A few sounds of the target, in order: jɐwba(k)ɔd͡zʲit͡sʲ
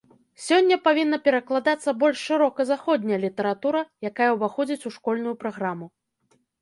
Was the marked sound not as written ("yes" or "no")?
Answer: yes